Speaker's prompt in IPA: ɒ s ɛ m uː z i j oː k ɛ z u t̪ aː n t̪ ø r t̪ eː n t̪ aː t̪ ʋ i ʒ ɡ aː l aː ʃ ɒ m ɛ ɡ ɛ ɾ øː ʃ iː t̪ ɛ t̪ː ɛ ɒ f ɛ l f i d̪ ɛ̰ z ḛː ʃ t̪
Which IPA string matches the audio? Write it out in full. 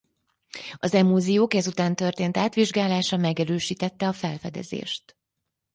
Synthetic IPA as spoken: ɒ z ɛ m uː z i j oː k ɛ z u t̪ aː n t̪ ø r t̪ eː n t̪ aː t̪ ʋ i ʒ ɡ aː l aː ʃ ɒ m ɛ ɡ ɛ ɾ øː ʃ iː t̪ ɛ t̪ː ɛ ɒ f ɛ l f ɛ d̪ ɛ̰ z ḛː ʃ t̪